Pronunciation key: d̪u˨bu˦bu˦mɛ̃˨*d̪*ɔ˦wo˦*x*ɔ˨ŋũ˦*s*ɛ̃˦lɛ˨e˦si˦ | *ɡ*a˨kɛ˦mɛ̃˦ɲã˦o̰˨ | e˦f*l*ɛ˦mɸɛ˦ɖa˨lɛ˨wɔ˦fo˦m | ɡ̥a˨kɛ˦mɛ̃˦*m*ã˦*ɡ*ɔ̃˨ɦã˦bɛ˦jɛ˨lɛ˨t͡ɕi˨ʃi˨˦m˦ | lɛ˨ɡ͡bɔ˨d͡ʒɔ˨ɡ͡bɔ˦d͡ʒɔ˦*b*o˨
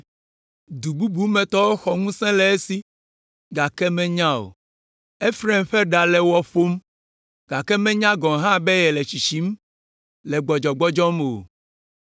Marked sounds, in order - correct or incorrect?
incorrect, correct, correct, correct, incorrect, incorrect, correct, incorrect

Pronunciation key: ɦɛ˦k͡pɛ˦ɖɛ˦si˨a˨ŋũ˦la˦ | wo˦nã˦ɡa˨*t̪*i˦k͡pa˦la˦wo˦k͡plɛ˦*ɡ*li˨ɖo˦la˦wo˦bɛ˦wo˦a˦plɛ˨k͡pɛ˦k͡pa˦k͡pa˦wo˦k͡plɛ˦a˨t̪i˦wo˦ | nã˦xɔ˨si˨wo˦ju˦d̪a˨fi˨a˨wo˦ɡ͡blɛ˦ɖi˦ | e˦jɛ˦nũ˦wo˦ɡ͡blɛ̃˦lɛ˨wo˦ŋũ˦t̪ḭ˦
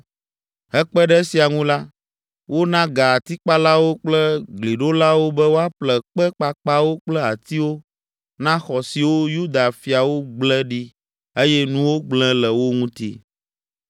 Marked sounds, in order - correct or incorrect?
correct, correct

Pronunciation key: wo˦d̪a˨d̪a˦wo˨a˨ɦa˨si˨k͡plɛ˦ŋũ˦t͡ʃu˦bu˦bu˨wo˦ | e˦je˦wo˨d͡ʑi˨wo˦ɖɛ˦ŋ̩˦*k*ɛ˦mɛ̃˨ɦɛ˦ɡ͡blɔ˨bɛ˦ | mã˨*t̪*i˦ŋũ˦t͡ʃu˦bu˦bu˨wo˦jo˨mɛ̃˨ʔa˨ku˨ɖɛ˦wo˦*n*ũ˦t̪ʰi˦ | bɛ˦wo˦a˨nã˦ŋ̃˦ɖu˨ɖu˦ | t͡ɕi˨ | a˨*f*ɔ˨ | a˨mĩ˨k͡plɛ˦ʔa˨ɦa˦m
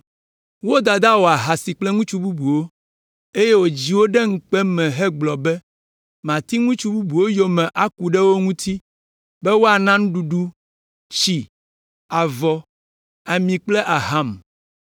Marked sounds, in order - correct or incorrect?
incorrect, correct, incorrect, incorrect

